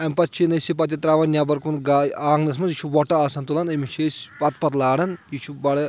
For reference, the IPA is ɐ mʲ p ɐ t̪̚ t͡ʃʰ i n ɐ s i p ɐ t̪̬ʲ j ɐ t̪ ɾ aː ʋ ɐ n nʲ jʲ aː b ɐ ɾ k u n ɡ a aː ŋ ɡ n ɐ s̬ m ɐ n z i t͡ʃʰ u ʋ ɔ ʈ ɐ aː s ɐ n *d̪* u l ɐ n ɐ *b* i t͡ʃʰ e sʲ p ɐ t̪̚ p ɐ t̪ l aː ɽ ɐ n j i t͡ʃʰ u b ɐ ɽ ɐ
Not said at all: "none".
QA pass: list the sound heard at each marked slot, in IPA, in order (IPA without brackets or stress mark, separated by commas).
t̪, m